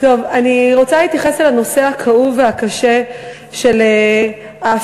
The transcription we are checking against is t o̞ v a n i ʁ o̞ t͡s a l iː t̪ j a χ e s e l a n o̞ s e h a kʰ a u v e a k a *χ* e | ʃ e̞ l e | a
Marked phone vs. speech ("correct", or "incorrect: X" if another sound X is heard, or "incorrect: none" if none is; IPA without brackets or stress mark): incorrect: ʃ